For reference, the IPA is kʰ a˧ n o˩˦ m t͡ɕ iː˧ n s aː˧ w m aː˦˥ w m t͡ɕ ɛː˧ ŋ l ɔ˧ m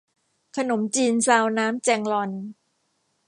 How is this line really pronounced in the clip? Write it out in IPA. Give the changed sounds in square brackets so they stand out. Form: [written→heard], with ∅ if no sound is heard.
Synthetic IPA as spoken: kʰ a˧ n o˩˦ m t͡ɕ iː˧ n s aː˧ w [m→n] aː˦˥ [w→∅] m t͡ɕ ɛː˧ ŋ l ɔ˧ [m→n]